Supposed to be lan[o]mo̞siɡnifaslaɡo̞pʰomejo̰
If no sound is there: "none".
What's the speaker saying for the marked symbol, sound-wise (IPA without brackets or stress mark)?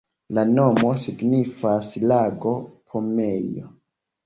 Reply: o